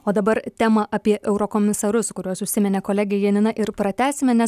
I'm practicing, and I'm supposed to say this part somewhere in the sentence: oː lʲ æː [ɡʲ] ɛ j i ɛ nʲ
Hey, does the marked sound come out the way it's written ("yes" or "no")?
yes